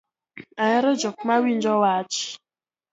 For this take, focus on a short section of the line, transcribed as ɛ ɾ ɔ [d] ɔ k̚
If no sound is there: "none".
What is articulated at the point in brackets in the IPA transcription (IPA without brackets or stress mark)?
d͡ʒ